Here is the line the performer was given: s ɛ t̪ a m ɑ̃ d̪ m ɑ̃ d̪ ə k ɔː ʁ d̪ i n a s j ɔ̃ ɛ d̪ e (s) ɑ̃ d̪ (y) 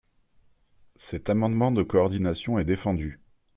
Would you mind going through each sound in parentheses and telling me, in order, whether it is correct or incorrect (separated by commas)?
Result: incorrect, correct